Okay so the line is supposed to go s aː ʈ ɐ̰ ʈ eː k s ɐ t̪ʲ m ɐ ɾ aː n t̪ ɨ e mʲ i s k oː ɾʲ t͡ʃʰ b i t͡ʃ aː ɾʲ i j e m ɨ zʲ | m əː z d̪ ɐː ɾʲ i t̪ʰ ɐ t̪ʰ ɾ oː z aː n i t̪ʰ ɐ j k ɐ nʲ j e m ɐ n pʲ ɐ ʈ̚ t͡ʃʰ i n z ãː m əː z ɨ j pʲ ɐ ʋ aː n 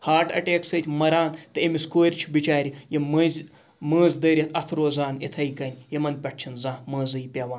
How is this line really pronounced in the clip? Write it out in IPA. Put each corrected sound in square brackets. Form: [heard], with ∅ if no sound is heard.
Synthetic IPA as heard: [h] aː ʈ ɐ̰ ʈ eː k s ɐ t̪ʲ m ɐ ɾ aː n t̪ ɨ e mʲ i s k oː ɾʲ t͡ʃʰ b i t͡ʃ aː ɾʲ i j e m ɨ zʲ | m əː z d̪ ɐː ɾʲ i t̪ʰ ɐ t̪ʰ ɾ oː z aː n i t̪ʰ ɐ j k ɐ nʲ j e m ɐ n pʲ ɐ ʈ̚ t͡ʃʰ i n z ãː m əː z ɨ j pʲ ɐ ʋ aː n